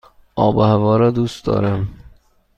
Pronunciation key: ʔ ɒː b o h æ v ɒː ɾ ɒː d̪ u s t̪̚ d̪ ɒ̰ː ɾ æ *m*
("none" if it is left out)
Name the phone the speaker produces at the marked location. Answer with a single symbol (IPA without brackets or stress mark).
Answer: m